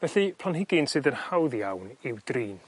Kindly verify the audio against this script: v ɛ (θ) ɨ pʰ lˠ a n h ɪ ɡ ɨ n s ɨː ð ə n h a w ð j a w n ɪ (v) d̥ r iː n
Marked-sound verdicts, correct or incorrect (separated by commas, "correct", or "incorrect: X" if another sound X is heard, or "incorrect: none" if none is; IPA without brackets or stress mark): correct, incorrect: w